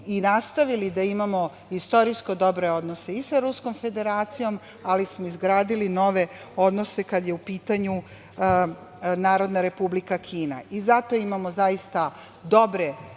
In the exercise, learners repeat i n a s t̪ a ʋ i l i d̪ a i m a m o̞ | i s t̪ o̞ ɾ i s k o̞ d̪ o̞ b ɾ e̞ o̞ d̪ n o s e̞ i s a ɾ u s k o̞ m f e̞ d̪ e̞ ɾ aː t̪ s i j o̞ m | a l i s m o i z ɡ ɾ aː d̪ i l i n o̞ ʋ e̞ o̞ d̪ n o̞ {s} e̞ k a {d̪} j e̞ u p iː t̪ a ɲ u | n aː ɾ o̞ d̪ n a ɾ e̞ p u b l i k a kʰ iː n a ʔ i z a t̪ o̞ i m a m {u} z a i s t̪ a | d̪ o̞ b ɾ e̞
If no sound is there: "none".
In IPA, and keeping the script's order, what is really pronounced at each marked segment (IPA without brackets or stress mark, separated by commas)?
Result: s, d̪, o